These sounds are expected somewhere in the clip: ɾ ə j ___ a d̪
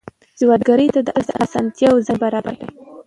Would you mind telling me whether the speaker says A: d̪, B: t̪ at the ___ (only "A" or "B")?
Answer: B